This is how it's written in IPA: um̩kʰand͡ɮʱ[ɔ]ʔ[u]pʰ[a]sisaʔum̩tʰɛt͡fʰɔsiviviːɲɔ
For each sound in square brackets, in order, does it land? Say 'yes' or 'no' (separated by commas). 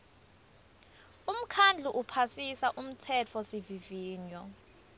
no, yes, yes